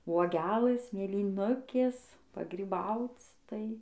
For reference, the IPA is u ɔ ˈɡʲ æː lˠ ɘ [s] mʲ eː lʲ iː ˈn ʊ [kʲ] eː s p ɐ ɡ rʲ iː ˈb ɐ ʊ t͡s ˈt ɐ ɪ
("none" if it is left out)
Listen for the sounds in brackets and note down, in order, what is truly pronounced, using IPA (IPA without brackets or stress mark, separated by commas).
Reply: s, kʲ